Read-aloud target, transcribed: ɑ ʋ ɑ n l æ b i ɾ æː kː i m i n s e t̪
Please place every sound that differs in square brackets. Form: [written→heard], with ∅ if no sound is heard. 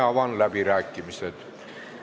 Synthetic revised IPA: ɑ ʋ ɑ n l æ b i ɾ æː kː i m i [n→∅] s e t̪